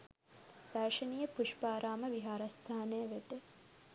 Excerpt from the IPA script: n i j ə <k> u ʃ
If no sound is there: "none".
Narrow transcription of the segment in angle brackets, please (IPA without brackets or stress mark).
p